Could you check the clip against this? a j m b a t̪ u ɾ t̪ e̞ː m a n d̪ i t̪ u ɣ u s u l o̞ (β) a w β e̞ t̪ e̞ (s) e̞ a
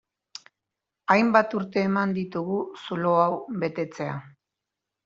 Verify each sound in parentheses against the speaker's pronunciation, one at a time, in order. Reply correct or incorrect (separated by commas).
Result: incorrect, incorrect